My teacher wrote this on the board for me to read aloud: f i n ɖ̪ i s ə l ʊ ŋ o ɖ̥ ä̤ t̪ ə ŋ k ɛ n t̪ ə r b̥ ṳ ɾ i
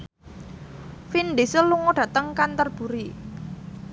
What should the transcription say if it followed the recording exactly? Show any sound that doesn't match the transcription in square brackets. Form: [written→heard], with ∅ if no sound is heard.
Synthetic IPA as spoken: f i n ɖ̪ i s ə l [ʊ→u] ŋ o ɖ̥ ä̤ t̪ ə ŋ k [ɛ→a] n t̪ ə r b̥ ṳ ɾ i